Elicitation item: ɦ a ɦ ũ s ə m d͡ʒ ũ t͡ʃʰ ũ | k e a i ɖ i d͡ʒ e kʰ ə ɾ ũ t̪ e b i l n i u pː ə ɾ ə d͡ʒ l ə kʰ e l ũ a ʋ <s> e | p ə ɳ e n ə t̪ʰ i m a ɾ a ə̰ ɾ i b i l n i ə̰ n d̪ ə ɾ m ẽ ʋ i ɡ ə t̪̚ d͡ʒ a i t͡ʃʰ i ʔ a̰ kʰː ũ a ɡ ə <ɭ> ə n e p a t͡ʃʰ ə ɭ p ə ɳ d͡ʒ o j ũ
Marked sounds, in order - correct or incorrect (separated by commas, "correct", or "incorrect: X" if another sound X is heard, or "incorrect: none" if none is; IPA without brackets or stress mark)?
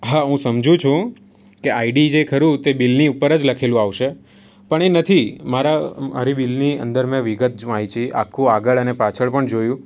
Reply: incorrect: ʃ, correct